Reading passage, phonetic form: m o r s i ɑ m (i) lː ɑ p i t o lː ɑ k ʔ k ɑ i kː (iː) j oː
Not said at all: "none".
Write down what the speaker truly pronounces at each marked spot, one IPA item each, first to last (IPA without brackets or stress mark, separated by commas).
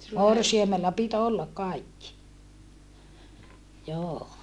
e, i